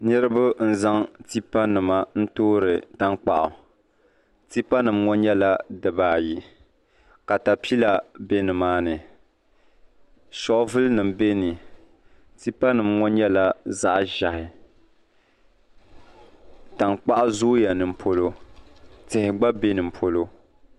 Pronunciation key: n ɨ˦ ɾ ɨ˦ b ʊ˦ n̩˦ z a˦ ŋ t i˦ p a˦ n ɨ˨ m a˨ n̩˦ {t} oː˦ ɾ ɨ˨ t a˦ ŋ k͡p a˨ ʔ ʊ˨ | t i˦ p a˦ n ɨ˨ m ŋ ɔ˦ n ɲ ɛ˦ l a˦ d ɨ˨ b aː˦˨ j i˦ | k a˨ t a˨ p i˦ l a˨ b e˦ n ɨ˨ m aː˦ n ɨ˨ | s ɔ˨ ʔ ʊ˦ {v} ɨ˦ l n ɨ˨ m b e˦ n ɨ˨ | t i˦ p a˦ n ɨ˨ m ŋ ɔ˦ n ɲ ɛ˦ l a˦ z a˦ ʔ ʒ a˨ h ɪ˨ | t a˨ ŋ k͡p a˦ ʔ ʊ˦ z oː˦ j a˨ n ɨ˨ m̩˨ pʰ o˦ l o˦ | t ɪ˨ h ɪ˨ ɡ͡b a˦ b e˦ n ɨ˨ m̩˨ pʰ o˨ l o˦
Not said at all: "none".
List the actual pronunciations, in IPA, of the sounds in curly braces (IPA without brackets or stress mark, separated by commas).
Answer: t, v